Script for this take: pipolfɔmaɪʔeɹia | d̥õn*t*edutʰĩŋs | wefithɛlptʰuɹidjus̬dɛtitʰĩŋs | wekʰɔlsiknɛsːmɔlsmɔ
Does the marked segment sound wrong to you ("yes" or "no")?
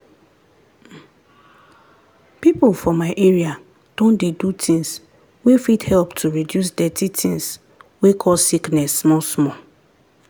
yes